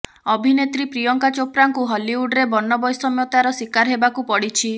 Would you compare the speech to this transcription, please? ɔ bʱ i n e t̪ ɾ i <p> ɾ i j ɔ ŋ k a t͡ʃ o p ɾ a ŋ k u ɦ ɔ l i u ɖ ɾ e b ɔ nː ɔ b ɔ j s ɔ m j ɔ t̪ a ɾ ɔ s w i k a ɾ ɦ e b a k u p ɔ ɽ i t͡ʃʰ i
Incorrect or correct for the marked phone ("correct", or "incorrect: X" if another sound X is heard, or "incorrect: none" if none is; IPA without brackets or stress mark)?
correct